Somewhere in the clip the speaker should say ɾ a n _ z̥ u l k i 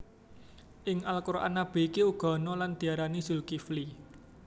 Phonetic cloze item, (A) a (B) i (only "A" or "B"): B